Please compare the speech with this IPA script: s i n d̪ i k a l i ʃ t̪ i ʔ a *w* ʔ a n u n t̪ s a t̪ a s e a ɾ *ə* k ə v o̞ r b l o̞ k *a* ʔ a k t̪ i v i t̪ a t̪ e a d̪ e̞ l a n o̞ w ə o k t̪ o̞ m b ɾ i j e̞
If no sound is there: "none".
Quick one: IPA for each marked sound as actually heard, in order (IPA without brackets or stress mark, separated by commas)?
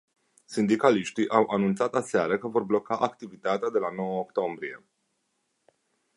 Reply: w, ə, a